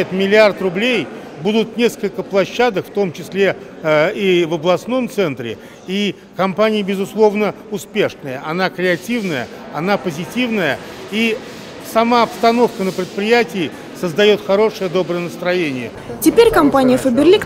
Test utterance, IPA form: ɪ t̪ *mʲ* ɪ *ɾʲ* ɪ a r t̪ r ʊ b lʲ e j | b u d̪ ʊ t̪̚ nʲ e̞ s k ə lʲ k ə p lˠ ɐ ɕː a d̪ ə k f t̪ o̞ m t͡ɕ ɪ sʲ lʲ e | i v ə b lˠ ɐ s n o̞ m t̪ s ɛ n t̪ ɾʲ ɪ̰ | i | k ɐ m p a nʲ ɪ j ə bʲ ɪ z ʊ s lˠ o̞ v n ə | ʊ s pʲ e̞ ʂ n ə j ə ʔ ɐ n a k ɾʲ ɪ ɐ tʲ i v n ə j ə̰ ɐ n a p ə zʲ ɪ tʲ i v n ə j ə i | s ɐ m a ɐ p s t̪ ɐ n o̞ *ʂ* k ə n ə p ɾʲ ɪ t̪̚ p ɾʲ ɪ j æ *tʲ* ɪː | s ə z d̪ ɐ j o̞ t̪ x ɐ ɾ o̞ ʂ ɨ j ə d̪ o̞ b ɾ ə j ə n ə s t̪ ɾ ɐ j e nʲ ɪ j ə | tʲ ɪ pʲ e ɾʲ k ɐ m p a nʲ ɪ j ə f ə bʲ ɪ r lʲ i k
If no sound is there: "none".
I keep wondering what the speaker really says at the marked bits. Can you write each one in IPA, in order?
mʲ, lʲ, f, tʲ

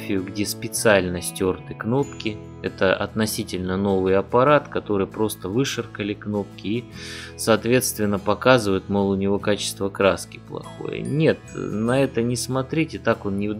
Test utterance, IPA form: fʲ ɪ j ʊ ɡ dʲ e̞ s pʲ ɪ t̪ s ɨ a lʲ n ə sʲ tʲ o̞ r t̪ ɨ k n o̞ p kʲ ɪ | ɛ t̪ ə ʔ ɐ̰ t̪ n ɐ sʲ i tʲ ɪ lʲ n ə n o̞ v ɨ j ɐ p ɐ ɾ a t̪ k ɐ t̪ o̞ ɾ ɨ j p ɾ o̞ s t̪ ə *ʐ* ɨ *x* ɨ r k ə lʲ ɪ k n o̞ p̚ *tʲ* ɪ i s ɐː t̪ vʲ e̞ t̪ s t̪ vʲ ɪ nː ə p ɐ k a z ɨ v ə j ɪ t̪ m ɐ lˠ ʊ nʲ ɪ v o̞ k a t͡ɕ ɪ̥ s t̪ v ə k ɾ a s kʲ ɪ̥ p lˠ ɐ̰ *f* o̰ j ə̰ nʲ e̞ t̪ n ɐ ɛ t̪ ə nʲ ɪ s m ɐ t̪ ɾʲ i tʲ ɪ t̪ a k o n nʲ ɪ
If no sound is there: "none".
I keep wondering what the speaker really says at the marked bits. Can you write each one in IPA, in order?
v, ʂ, kʲ, x

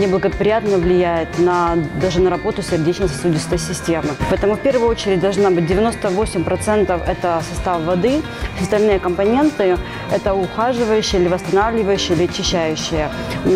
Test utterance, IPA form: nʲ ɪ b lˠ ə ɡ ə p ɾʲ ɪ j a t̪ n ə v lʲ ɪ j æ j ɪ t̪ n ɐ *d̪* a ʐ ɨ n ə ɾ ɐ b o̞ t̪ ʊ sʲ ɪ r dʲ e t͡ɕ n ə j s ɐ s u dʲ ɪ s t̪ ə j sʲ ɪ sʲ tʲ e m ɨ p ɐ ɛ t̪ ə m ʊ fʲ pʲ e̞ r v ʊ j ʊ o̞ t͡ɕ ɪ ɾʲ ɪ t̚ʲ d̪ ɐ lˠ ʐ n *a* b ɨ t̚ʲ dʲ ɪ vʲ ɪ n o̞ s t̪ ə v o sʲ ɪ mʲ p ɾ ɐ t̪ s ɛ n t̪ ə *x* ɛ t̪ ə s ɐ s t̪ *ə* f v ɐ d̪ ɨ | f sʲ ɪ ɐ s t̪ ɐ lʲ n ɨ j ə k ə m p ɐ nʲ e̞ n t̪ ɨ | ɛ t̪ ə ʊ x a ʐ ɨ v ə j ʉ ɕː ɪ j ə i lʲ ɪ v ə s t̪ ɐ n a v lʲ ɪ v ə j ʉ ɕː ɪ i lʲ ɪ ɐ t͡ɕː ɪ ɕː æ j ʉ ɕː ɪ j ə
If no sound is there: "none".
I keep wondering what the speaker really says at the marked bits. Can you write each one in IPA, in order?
d̪, a, f, a

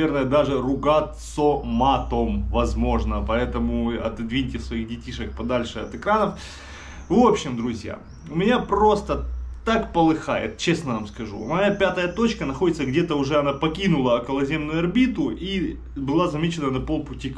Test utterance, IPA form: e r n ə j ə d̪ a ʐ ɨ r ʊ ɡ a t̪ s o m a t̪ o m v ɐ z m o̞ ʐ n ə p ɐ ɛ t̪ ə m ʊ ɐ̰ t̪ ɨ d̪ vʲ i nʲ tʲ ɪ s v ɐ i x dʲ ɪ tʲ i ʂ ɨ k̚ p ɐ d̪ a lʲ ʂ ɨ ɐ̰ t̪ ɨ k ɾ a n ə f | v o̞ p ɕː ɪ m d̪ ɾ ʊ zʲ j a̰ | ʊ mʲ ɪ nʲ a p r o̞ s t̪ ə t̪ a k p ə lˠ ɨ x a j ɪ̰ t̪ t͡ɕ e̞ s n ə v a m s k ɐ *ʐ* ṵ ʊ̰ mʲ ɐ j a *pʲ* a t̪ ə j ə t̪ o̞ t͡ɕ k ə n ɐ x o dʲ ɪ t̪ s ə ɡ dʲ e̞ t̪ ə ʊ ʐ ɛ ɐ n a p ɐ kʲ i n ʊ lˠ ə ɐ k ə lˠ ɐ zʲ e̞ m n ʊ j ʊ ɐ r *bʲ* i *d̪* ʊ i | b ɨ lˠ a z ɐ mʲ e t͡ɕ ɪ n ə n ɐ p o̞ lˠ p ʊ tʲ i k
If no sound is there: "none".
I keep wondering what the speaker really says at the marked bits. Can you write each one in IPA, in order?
ʐ, pʲ, bʲ, t̪

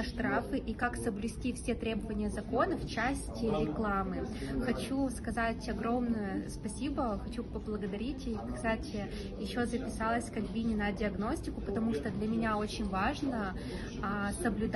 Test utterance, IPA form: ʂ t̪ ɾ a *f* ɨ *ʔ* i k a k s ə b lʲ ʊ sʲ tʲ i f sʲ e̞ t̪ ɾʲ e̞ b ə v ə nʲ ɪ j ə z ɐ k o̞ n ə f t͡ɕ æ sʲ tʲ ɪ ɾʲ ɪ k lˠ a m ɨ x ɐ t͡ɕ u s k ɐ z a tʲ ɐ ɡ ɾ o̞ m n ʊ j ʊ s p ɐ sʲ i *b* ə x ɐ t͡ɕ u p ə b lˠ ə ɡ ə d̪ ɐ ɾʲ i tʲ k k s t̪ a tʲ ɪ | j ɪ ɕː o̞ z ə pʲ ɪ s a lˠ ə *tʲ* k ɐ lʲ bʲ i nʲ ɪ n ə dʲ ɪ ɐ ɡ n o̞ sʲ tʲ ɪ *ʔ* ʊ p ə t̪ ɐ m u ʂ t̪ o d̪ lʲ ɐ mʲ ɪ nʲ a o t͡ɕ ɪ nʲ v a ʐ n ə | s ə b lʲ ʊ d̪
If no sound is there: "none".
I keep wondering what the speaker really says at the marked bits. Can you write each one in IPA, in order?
f, ʔ, b, sʲ, k

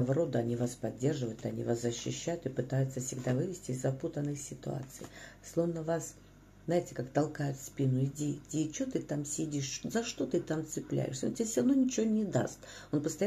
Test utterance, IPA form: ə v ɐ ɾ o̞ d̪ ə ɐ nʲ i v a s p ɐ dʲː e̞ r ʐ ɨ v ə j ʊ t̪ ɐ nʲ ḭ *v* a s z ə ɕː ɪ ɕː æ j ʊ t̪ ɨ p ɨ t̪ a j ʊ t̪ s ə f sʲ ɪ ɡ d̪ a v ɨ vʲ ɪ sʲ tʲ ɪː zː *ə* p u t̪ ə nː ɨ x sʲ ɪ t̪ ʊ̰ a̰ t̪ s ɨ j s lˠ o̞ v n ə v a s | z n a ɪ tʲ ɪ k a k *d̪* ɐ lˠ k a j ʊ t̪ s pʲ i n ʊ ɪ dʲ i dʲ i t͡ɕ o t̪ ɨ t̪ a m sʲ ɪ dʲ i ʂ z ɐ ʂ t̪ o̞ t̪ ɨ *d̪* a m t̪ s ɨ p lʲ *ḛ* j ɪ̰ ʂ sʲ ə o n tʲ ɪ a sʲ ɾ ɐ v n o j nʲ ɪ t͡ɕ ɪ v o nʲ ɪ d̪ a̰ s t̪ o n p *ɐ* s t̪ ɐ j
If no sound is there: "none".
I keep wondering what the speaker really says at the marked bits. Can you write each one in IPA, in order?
v, ɐ, t̪, t̪, æ̰, ə

